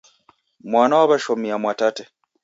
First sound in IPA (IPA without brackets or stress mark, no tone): m